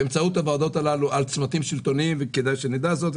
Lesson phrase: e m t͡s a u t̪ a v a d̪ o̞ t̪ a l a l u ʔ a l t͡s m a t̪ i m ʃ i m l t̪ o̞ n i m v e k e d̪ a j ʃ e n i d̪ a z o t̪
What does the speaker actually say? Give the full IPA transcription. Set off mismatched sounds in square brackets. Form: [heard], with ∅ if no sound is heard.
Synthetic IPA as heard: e m t͡s a u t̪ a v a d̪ o̞ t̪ a l a l u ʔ a l t͡s m a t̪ i m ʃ i [∅] l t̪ o̞ n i m v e k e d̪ a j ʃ e n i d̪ a z o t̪